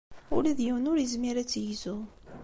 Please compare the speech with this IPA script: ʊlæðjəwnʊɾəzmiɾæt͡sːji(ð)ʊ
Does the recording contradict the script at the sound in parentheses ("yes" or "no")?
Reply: yes